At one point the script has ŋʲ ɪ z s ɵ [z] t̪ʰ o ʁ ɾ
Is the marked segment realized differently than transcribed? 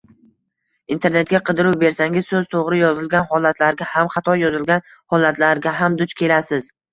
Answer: no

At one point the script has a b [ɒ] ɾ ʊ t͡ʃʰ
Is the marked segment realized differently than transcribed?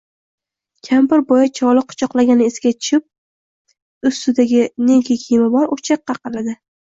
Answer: no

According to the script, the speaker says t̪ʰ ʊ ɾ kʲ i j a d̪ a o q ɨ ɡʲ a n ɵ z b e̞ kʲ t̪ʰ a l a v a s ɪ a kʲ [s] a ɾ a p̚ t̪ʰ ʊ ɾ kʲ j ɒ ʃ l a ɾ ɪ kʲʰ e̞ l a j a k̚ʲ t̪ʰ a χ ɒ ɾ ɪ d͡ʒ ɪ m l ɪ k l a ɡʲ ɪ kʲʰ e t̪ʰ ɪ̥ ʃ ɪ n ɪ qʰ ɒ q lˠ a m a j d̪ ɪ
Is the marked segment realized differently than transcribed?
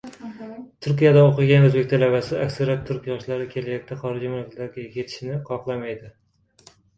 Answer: no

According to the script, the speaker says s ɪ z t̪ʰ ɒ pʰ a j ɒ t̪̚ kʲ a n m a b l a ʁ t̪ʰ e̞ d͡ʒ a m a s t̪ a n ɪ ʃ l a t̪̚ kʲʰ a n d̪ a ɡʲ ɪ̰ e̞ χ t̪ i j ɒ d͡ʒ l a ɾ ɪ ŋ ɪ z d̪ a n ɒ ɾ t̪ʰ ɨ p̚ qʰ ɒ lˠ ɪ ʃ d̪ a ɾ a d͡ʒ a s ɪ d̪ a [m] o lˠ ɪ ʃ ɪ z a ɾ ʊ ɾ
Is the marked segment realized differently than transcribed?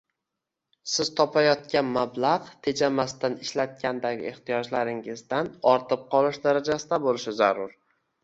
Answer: yes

